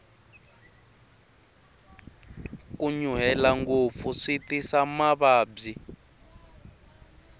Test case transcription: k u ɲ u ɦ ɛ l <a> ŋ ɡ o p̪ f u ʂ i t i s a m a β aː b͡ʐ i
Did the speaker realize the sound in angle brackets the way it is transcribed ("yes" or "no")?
yes